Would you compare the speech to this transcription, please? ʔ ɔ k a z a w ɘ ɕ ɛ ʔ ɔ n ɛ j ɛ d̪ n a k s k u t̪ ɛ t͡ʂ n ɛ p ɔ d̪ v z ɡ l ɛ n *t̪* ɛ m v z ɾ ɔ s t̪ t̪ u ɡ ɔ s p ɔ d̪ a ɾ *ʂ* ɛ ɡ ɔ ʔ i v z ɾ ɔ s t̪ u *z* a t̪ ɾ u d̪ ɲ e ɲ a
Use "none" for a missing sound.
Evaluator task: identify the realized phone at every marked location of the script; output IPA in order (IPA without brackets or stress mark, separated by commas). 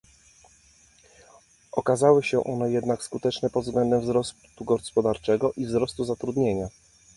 d̪, t͡ʂ, z